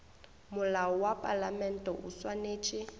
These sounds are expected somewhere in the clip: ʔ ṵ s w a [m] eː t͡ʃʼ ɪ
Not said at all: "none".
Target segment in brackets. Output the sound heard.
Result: n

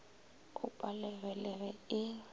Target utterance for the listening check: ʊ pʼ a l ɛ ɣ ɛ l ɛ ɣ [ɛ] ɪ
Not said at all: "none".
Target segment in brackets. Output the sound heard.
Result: ɛ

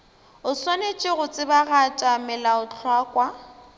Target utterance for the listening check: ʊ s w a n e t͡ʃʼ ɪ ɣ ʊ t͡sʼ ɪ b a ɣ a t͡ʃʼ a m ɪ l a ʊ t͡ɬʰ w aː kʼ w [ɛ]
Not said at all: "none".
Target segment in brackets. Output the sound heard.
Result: a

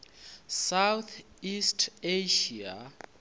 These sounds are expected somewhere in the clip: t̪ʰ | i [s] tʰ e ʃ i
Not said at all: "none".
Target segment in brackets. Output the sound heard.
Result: s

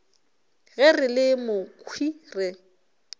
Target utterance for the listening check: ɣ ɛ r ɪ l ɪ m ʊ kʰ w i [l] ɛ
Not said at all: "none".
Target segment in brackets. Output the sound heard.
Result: r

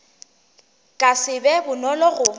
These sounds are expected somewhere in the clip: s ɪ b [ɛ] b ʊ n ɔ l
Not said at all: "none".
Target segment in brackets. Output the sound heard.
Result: ɛ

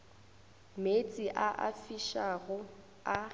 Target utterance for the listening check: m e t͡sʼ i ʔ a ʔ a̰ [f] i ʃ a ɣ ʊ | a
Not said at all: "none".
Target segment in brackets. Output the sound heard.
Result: f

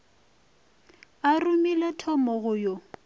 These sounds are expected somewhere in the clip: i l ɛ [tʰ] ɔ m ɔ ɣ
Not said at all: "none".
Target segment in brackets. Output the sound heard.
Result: tʰ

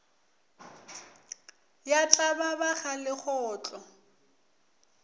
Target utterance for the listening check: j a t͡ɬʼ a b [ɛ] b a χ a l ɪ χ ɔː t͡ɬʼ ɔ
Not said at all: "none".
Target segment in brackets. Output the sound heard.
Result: a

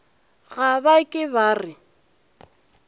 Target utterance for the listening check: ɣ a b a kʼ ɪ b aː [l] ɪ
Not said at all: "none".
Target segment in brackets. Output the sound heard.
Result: r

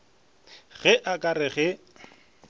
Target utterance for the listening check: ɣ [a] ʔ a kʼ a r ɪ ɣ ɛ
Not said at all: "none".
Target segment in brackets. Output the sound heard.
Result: ɛ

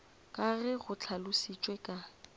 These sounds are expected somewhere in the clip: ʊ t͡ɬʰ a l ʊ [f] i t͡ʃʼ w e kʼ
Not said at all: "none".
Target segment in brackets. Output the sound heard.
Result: s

